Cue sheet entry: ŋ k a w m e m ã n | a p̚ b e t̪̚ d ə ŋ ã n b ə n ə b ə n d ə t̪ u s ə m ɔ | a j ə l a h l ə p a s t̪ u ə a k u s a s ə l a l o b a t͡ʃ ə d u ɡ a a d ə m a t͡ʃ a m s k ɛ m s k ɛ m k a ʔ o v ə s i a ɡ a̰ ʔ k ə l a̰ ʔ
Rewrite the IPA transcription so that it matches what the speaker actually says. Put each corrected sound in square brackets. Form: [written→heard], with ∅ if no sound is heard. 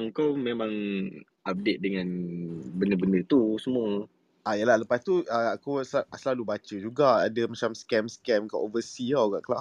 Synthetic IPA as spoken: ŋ k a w m e m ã [n→ŋ] | a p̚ [b→d] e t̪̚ d ə ŋ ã n b ə n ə b ə n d ə t̪ u s ə m [ɔ→u] | a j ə l a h l ə p a s t̪ u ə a k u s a s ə l a l [o→u] b a t͡ʃ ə [d→d͡ʒ] u ɡ a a d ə m a t͡ʃ a m s k ɛ m s k ɛ m k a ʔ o v ə s i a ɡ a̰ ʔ k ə l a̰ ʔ